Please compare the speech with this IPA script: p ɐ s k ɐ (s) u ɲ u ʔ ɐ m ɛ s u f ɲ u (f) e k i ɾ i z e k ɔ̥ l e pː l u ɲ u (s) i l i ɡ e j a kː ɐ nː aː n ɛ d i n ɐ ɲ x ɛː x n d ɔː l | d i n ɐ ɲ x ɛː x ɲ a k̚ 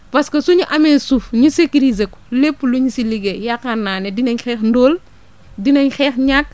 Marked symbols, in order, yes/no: yes, no, yes

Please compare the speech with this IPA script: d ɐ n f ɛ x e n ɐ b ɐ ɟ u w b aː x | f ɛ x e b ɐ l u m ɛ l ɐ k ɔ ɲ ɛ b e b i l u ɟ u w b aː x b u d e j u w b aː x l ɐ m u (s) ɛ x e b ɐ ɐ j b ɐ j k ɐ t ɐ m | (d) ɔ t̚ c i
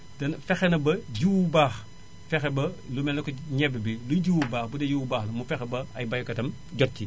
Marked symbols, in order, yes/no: no, no

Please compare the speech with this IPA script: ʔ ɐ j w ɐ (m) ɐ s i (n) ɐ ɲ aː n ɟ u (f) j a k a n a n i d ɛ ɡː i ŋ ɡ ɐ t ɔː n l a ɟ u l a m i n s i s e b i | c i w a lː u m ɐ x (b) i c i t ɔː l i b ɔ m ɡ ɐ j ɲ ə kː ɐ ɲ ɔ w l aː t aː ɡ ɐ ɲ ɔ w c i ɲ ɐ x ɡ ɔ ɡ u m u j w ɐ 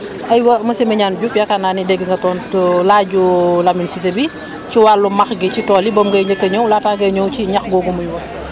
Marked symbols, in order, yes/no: yes, no, yes, no

